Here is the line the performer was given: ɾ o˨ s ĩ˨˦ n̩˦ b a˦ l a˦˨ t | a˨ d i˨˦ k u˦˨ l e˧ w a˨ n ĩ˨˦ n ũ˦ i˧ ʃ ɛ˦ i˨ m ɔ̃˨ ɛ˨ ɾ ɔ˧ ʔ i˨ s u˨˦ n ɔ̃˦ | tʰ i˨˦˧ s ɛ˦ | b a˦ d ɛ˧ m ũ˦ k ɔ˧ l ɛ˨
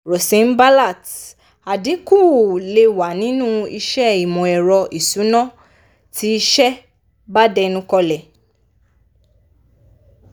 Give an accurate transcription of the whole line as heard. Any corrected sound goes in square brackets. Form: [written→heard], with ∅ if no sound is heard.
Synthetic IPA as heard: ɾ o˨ s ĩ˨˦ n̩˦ b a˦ l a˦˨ t | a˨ d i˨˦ k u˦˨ l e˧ w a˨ n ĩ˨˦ n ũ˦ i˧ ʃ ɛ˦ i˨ m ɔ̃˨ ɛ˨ ɾ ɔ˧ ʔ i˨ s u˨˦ n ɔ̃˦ | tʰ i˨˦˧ [s→ʃ] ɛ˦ | b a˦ d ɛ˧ [m→n] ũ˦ k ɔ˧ l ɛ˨